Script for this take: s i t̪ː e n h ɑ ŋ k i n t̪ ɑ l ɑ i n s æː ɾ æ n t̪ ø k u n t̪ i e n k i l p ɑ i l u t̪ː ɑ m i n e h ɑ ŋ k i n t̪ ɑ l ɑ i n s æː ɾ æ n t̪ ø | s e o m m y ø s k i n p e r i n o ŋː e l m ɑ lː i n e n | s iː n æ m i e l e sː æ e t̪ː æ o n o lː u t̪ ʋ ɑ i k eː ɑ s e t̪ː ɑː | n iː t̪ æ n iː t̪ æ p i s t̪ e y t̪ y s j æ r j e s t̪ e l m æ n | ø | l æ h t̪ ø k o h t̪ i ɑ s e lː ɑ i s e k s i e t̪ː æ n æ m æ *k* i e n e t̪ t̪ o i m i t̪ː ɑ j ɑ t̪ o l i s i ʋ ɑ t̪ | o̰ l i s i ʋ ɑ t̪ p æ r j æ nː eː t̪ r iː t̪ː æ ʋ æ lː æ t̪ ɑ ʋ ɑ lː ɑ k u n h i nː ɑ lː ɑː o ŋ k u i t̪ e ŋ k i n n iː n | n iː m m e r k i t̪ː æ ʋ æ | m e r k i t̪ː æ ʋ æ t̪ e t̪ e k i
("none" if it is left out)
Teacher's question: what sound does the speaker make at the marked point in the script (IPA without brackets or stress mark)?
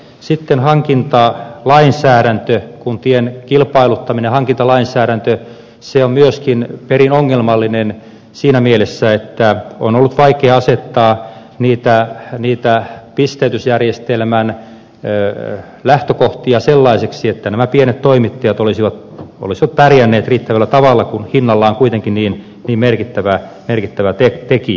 p